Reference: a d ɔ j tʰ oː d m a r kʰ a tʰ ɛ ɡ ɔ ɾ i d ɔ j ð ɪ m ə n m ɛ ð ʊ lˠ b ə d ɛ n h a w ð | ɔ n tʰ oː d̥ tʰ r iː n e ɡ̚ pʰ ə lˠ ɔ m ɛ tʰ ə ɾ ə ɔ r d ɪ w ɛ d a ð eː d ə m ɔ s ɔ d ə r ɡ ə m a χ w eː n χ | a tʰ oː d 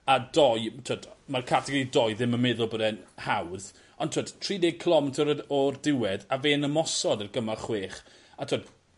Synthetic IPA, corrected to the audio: a d ɔ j tʰ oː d m a r kʰ a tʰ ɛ ɡ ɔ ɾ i d ɔ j ð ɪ m ə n m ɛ ð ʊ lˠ b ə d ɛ n h a w ð | ɔ n tʰ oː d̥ tʰ r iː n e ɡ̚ kʰ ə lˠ ɔ m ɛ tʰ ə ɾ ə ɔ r d ɪ w ɛ d a v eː n ə m ɔ s ɔ d ə r ɡ ə m a χ w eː χ | a tʰ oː d